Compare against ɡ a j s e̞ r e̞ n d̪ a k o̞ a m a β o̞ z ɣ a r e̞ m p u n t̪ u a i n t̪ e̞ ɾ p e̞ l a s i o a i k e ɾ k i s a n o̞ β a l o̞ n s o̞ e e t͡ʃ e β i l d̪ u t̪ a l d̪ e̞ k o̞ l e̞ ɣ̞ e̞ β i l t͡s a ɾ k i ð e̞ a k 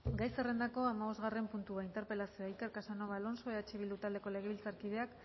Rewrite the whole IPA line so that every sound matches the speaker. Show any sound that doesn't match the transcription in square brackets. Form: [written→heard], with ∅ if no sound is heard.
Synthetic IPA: ɡ a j s e̞ r e̞ n d̪ a k o̞ a m a β o̞ z ɣ a r e̞ m p u n t̪ u a i n t̪ e̞ ɾ p e̞ l a s i o a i k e ɾ k [i→a] s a n o̞ β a l o̞ n s o̞ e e t͡ʃ e β i l d̪ u t̪ a l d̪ e̞ k o̞ l e̞ ɣ̞ e̞ β i l t͡s a ɾ k i ð e̞ a k

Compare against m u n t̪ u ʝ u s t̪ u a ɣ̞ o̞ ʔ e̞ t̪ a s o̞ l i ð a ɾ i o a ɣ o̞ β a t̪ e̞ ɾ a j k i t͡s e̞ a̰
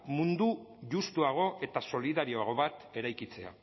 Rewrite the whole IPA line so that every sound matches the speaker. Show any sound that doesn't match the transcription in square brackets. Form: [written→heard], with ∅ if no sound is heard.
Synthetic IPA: m u n [t̪→d̪] u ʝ u s t̪ u a ɣ̞ o̞ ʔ e̞ t̪ a s o̞ l i ð a ɾ i o a ɣ o̞ β a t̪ e̞ ɾ a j k i t͡s e̞ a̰

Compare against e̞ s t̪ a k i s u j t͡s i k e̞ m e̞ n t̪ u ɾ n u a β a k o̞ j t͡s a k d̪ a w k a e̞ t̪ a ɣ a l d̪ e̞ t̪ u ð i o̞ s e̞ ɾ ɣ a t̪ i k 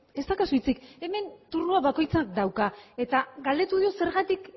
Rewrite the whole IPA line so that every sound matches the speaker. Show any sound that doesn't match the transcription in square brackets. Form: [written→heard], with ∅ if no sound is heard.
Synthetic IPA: e̞ s t̪ a k [i→a] s u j t͡s i k e̞ m e̞ n t̪ u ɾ n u a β a k o̞ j t͡s a k d̪ a w k a e̞ t̪ a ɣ a l d̪ e̞ t̪ u ð i o̞ s e̞ ɾ ɣ a t̪ i k

